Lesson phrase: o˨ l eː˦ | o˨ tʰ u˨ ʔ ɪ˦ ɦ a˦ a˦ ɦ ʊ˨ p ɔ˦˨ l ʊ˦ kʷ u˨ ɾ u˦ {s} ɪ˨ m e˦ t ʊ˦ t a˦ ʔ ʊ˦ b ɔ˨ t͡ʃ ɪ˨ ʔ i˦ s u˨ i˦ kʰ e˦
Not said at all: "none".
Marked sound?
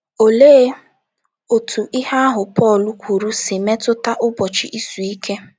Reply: s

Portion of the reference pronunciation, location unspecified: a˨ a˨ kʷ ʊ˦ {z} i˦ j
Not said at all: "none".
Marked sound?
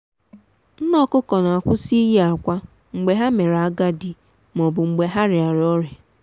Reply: s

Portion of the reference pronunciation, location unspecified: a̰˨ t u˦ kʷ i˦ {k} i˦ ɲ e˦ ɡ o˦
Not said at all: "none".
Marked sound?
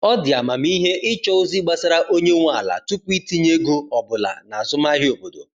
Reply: t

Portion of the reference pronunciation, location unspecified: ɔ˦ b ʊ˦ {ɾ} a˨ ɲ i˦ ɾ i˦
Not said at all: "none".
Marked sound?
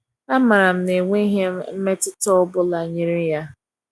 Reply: l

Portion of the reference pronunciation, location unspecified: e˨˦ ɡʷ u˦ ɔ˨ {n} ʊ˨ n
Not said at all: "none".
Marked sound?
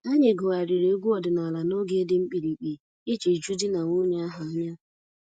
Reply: d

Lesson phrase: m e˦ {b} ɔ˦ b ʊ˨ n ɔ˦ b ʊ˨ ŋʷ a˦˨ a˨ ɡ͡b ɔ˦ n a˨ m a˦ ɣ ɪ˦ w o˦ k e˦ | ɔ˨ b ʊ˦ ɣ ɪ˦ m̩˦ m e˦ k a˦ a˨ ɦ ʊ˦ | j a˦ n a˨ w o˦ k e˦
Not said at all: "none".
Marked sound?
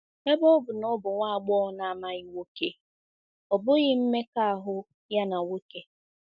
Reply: b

